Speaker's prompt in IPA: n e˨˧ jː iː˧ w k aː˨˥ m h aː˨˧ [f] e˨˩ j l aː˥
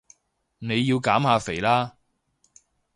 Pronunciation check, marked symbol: correct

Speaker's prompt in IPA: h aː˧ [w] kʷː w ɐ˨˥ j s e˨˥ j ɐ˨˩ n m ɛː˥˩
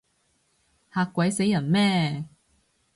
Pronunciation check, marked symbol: incorrect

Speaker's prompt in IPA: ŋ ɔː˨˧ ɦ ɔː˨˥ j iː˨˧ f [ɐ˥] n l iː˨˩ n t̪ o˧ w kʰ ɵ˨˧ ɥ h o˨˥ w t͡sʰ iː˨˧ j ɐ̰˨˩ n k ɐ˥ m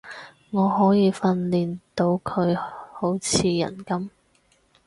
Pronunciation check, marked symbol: incorrect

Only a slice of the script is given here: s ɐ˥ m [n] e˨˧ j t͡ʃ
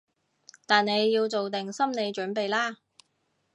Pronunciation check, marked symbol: correct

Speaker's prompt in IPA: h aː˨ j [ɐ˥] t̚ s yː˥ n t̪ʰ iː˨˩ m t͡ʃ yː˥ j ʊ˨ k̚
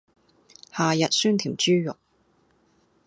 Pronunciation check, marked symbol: incorrect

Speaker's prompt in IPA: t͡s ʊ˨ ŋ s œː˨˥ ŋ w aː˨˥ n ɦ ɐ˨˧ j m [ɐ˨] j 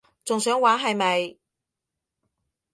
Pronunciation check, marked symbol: correct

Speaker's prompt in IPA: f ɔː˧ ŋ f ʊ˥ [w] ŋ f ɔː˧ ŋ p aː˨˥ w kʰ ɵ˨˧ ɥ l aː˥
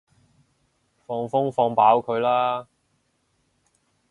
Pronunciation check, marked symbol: incorrect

